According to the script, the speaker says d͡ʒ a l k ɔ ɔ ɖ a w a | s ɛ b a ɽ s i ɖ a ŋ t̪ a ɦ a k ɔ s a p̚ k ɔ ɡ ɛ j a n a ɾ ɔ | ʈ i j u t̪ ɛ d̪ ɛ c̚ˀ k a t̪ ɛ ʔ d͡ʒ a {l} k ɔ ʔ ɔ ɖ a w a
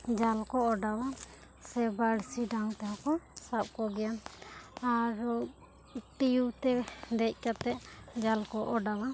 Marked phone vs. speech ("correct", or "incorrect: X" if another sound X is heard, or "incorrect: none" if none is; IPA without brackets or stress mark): correct